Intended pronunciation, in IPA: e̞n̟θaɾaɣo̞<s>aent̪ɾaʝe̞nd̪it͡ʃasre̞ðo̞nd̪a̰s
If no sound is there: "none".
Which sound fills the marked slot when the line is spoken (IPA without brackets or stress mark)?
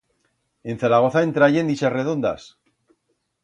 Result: θ